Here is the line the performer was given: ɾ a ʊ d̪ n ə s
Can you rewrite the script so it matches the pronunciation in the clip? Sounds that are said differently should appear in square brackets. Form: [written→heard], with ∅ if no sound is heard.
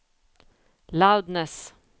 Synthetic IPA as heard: [ɾ→l] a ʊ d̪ n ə s